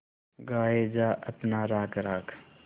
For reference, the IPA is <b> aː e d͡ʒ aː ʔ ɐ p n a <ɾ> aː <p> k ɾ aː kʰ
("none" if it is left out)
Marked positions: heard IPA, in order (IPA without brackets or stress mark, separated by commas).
ɡ, ɾ, none